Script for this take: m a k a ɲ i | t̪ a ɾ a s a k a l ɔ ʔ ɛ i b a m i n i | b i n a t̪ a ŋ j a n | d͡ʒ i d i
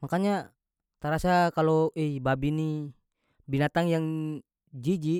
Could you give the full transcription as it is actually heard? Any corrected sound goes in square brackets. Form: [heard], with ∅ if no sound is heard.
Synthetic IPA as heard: m a k a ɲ [a] | t̪ a ɾ a s a k a l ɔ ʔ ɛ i b a [b] i n i | b i n a t̪ a ŋ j a [ŋ] | d͡ʒ i [d͡ʒ] i